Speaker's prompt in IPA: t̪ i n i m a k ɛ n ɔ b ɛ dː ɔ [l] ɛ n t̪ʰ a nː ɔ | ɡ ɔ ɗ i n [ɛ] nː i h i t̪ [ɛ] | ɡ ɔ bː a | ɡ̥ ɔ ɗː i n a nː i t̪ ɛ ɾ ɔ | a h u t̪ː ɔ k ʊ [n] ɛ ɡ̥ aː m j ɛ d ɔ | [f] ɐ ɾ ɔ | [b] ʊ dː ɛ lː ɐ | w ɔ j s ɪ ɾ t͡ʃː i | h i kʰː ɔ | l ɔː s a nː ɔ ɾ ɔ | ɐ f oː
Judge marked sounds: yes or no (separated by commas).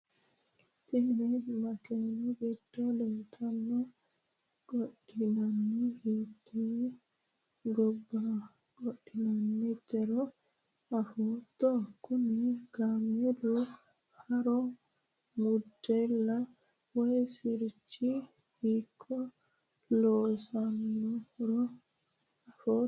yes, no, no, yes, no, no